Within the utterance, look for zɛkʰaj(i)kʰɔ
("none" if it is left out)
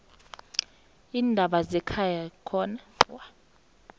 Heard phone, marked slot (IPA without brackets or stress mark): a